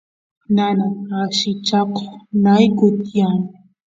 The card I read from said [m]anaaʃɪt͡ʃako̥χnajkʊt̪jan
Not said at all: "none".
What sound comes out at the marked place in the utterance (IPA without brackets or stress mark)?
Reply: n